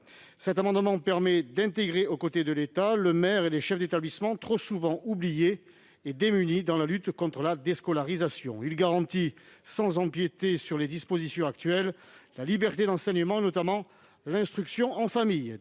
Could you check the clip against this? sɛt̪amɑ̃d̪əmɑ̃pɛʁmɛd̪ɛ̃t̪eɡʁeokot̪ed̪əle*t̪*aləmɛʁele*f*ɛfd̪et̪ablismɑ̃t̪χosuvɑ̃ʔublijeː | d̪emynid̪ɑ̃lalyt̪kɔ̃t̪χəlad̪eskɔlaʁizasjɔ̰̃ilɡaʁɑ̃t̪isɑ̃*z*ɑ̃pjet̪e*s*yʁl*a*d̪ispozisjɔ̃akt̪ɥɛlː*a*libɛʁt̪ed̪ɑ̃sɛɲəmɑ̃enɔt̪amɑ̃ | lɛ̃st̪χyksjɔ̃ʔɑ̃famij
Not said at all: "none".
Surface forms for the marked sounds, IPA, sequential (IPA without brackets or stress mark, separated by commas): t̪, ʃ, z, s, e, a